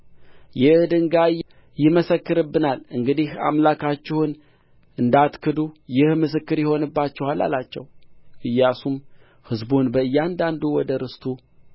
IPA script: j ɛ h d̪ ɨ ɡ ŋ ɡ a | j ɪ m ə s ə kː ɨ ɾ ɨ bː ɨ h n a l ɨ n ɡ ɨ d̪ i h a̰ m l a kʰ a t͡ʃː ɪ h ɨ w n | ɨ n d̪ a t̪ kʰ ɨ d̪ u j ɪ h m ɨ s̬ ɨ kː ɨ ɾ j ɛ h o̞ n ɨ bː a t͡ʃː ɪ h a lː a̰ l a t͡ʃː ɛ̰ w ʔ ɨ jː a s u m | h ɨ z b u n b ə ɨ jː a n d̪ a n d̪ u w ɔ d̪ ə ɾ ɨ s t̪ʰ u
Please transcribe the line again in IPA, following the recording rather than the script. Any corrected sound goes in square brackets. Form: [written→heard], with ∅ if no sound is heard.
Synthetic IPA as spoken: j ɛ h d̪ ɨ [ɡ→∅] ŋ ɡ a | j ɪ m ə s ə kː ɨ ɾ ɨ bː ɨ [h→∅] n a l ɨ [n→ŋ] ɡ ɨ d̪ i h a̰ m l a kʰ a t͡ʃː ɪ h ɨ [w→∅] n | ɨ n d̪ a t̪ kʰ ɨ d̪ u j ɪ h m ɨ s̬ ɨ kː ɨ ɾ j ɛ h o̞ n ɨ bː a t͡ʃː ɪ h a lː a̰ l a t͡ʃː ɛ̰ w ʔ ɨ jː a s u m | h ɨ z b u n b ə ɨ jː a n d̪ a n d̪ u w ɔ d̪ ə ɾ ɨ s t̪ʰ u